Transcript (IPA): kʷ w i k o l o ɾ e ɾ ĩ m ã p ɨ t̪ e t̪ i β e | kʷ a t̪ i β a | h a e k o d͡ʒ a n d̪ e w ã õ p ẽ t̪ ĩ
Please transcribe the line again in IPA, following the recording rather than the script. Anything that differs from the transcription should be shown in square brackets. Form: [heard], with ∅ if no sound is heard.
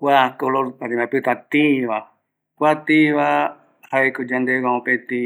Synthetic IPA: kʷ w [a] k o l o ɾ [a] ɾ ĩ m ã p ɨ t̪ [a] t̪ i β [a] | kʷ a t̪ i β a | h a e k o d͡ʒ a n d̪ e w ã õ p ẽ t̪ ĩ